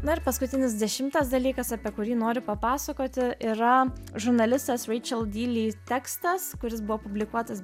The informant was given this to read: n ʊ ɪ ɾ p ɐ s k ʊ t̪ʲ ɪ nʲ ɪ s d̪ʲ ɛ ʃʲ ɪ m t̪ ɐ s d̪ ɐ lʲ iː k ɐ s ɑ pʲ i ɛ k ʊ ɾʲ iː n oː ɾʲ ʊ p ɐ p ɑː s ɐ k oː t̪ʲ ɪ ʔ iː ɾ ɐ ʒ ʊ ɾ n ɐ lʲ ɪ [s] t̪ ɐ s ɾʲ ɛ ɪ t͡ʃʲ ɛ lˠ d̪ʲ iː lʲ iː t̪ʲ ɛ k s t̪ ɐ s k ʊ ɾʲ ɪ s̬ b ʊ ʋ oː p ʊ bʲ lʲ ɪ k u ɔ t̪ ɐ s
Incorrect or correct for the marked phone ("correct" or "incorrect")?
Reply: correct